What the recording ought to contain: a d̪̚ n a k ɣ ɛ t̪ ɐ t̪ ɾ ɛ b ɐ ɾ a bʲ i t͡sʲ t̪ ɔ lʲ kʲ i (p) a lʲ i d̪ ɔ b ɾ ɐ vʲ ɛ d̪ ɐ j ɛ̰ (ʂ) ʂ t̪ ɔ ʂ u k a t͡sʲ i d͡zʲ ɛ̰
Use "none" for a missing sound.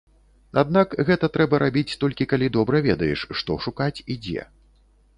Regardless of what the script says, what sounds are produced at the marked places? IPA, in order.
k, ʂ

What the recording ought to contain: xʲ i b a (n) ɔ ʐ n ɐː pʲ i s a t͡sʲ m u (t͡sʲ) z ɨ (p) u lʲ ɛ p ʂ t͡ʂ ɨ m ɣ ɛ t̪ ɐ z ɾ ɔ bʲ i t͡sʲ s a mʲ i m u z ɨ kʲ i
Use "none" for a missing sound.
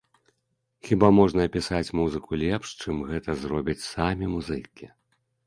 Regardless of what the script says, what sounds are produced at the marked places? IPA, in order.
m, none, k

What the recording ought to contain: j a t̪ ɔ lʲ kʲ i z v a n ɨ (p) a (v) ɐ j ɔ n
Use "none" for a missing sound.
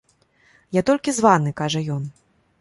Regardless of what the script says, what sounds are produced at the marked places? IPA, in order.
k, ʐ

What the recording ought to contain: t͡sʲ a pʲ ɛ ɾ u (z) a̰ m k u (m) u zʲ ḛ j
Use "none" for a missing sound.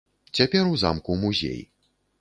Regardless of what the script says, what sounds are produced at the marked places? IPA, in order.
z, m

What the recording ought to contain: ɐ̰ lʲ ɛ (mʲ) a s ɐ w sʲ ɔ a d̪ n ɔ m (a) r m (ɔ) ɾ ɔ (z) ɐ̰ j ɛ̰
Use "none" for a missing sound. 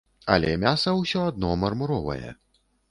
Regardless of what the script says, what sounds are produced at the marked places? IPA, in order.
mʲ, ɐ, u, v

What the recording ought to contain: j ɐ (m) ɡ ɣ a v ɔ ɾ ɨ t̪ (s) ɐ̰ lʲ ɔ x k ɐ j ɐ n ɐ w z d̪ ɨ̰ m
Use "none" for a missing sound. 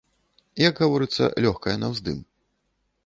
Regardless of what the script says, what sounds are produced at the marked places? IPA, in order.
none, sː

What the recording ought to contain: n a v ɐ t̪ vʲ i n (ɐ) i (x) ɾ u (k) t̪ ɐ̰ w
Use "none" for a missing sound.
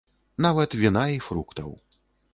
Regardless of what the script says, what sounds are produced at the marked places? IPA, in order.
a, f, k

